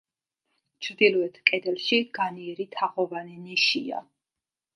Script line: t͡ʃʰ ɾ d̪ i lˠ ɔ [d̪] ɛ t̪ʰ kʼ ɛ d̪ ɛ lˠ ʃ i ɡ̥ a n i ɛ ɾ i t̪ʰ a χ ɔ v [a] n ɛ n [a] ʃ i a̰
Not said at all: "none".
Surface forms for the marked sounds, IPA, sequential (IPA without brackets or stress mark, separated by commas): none, a, i